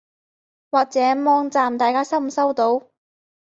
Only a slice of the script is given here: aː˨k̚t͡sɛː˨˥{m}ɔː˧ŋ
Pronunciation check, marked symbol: correct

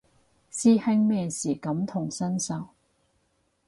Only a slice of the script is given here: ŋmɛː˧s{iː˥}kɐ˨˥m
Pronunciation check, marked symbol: incorrect: iː˨˩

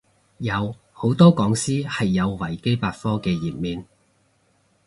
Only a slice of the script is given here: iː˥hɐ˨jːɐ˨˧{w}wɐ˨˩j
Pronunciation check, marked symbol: correct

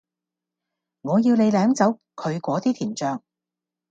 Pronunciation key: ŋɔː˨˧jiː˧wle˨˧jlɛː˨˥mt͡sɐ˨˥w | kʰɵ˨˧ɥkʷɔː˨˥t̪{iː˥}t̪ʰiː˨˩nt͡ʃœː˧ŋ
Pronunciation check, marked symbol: correct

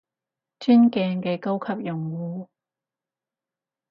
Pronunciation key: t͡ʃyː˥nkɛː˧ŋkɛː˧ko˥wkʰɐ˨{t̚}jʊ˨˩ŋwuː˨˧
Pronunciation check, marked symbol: incorrect: p̚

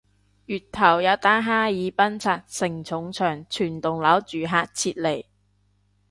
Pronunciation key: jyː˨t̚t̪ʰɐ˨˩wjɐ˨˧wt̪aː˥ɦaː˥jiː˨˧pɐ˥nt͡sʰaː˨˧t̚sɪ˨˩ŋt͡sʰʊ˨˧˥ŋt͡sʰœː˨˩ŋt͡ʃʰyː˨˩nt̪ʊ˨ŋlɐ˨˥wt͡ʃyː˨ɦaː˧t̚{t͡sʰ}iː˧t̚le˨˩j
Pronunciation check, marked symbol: correct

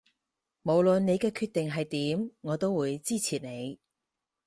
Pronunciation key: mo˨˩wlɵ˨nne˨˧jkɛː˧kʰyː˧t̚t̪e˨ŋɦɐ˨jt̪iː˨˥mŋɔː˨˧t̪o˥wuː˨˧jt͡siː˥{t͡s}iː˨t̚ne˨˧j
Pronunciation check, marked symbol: incorrect: t͡sʰ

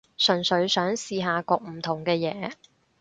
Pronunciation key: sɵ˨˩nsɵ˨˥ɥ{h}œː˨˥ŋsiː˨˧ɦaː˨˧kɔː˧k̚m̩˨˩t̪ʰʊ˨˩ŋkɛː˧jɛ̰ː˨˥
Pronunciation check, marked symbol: incorrect: s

